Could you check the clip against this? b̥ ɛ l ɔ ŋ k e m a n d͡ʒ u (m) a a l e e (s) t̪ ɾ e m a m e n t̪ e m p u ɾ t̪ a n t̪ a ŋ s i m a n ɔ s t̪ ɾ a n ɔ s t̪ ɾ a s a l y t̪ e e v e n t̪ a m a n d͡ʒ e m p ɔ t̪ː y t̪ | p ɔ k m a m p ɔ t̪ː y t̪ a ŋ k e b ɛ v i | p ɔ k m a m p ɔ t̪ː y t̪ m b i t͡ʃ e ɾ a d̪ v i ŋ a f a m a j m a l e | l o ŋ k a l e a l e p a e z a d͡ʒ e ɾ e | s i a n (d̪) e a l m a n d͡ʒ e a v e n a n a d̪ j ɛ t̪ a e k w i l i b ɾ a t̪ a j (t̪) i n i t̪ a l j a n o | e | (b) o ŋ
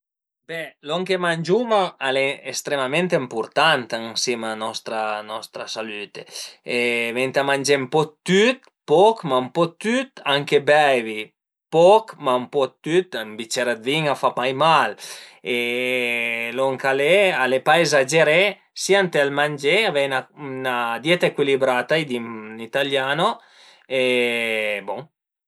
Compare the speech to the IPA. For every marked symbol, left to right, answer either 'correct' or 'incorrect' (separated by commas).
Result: correct, correct, incorrect, incorrect, correct